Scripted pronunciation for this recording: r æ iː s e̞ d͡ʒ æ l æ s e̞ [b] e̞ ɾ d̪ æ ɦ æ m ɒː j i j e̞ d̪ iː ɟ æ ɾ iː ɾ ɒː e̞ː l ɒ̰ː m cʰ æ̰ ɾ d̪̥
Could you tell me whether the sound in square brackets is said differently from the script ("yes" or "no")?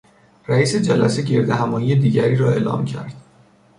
yes